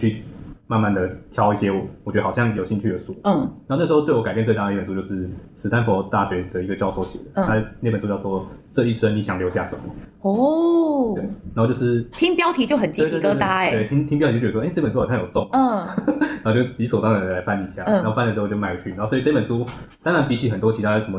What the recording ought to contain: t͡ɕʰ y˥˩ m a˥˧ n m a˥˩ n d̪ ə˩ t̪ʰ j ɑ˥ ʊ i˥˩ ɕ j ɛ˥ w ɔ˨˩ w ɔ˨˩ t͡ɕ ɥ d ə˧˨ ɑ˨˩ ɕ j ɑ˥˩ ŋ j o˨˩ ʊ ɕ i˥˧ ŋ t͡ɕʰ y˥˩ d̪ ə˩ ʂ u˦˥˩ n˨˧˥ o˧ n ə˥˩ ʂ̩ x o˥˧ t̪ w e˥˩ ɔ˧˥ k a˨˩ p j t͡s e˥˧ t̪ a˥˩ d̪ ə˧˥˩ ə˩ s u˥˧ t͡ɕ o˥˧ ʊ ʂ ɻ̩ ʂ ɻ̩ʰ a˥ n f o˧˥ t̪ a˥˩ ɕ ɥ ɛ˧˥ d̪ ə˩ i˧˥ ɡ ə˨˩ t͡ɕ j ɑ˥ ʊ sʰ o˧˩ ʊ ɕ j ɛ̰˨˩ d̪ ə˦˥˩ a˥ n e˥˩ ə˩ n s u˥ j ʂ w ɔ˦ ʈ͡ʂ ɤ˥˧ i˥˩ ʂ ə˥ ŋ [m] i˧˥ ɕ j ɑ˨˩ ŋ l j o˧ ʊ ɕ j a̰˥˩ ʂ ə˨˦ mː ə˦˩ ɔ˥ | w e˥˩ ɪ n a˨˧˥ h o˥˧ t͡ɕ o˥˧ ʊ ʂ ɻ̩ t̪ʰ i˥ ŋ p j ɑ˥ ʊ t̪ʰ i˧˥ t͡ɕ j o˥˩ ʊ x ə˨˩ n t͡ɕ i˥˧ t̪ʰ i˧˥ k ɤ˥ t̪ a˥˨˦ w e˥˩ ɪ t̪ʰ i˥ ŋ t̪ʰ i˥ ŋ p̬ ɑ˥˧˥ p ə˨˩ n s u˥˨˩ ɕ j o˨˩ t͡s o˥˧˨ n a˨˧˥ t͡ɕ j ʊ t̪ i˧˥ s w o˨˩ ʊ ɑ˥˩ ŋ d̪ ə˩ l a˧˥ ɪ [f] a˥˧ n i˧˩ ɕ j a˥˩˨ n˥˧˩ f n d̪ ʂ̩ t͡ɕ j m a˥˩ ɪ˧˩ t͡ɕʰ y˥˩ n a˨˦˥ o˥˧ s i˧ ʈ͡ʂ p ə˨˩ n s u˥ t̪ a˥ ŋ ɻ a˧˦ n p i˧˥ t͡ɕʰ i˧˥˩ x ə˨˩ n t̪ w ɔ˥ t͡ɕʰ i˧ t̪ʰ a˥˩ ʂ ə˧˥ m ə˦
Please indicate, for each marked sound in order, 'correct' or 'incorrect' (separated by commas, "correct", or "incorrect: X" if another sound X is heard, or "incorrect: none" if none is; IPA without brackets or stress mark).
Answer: incorrect: n, correct